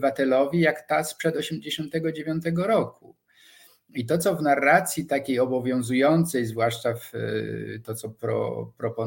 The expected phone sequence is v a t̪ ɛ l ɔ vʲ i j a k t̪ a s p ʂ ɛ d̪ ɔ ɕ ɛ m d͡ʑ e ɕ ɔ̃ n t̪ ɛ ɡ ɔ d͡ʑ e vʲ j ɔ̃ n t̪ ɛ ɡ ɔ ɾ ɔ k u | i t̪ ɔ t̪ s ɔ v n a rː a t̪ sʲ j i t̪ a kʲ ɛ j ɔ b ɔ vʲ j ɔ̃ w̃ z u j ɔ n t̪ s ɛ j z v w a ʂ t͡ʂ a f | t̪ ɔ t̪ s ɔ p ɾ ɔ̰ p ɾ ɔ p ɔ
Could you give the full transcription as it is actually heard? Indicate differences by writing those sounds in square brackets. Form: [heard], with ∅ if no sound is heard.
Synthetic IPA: v a t̪ ɛ l ɔ vʲ i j a k t̪ a s p ʂ ɛ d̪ ɔ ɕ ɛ m d͡ʑ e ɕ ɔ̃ n t̪ ɛ ɡ ɔ d͡ʑ e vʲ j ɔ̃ n t̪ ɛ ɡ ɔ ɾ ɔ k u | i t̪ ɔ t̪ s ɔ v n a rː a t̪ sʲ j i t̪ a kʲ [e] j ɔ b ɔ vʲ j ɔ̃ w̃ z u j ɔ n t̪ s ɛ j z v w a ʂ t͡ʂ a f | t̪ ɔ t̪ s ɔ p ɾ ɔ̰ p ɾ ɔ p ɔ